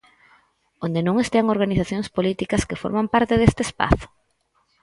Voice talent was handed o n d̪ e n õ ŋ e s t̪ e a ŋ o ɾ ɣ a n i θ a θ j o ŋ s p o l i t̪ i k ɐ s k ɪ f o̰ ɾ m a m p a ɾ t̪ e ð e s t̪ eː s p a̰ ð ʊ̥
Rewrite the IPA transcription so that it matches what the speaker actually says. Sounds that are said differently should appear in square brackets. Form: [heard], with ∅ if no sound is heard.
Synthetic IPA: o n d̪ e n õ ŋ e s t̪ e a ŋ o ɾ ɣ a n i θ a θ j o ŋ s p o l i t̪ i k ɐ s k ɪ f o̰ ɾ m a m p a ɾ t̪ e ð e s t̪ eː s p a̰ [θ] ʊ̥